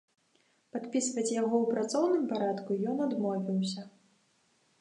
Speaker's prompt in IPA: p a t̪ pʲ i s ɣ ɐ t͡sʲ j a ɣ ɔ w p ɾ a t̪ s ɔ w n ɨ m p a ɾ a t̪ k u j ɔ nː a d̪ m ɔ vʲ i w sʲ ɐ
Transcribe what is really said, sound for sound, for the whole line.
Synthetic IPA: p a t̪ pʲ i s v ɐ t͡sʲ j a ɣ ɔ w p ɾ a t̪ s ɔ w n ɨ m p a ɾ a t̪ k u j ɔ n a d̪ m ɔ vʲ i w sʲ ɐ